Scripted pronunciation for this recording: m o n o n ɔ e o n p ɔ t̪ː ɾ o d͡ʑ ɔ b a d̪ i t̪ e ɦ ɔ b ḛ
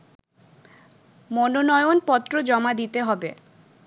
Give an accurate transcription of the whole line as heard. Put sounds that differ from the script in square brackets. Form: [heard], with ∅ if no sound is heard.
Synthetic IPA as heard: m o n o n ɔ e o n p ɔ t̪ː ɾ o d͡ʑ ɔ [m] a d̪ i t̪ e ɦ ɔ b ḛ